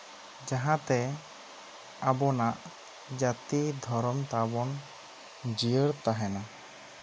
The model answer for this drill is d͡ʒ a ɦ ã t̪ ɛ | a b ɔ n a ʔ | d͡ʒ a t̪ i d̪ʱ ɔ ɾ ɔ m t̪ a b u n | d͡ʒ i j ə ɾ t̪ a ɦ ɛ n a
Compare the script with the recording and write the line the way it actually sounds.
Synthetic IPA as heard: d͡ʒ a ɦ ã t̪ ɛ | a b ɔ n a ʔ | d͡ʒ a t̪ i d̪ʱ ɔ ɾ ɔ m t̪ a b ɔ n | d͡ʒ i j ə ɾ t̪ a ɦ ɛ n a